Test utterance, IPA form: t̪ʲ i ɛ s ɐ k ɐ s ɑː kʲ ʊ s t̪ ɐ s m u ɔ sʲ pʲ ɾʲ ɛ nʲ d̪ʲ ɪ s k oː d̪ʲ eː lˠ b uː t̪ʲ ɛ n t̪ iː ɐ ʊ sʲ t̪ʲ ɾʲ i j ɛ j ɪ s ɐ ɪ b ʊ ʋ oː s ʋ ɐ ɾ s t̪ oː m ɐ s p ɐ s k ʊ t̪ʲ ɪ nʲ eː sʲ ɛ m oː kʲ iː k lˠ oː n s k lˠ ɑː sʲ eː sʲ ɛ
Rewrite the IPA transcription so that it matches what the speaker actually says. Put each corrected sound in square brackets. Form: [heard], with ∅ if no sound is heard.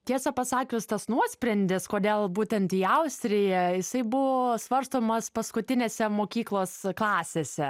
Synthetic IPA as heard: t̪ʲ i ɛ s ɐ [p] ɐ s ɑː kʲ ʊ s t̪ ɐ s [n] u ɔ sʲ pʲ ɾʲ ɛ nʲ d̪ʲ ɪ s k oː d̪ʲ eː lˠ b uː t̪ʲ ɛ n t̪ iː ɐ ʊ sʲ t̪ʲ ɾʲ [ɪ] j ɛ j ɪ s ɐ ɪ b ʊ ʋ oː s ʋ ɐ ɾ s t̪ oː m ɐ s p ɐ s k ʊ t̪ʲ ɪ nʲ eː sʲ ɛ m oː kʲ iː k lˠ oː [∅] s k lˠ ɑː sʲ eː sʲ ɛ